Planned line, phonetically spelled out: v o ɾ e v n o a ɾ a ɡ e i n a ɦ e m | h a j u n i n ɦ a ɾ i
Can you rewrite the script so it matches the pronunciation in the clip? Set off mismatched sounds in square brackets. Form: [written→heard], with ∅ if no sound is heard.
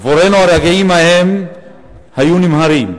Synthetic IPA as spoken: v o ɾ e [v→∅] n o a ɾ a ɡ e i [n→m] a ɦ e m | h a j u n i [n→m] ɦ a ɾ i